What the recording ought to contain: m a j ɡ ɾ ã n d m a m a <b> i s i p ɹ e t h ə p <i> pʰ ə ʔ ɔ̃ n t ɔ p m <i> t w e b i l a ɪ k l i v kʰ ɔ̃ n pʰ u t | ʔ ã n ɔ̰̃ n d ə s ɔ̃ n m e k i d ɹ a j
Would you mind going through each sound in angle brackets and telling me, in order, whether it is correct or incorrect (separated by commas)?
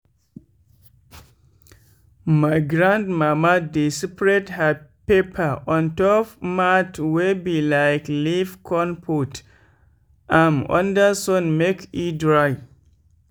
incorrect, incorrect, incorrect